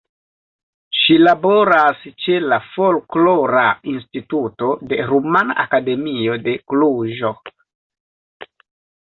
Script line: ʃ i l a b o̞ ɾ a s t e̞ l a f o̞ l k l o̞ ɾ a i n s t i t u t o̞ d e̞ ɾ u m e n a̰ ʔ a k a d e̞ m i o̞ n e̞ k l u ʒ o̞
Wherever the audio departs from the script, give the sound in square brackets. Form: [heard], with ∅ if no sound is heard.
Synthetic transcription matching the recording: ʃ i l a b o̞ ɾ a s [t͡ʃ] e̞ l a f o̞ l k l o̞ ɾ a i n s t i t u t o̞ d e̞ ɾ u m [a] n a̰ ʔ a k a d e̞ m i o̞ [d] e̞ k l u ʒ o̞